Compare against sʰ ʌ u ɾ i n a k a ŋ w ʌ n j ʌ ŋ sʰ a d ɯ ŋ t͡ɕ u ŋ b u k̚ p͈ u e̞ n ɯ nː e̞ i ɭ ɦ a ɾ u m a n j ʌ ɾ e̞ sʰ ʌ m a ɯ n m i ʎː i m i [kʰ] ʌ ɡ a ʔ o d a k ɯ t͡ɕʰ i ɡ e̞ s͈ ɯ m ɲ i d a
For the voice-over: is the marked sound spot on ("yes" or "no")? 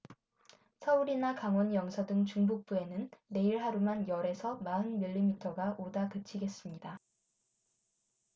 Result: no